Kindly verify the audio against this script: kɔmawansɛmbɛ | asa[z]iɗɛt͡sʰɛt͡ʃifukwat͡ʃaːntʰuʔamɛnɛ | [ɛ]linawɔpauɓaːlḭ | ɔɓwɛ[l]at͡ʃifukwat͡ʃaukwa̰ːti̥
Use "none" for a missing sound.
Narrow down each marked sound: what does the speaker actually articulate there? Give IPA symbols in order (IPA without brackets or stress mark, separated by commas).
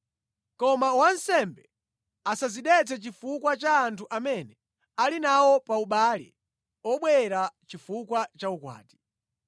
z, a, ɾ